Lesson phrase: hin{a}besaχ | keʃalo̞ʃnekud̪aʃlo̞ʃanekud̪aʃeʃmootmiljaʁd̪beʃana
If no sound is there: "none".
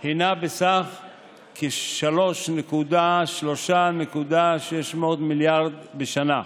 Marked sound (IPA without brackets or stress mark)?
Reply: a